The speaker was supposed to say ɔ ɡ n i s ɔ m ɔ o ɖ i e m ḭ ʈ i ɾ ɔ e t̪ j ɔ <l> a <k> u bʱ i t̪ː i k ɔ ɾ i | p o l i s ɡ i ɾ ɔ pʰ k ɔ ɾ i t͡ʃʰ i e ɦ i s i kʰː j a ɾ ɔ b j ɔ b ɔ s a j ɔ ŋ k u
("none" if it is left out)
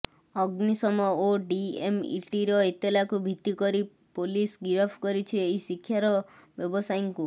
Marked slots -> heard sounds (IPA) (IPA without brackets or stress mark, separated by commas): l, k